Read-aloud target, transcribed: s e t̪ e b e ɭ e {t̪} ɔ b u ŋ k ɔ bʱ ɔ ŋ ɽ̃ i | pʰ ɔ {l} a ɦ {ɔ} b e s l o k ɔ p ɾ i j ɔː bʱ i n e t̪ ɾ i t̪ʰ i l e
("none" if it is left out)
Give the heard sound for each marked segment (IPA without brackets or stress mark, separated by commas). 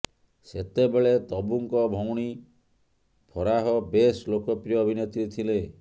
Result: t̪, ɾ, ɔ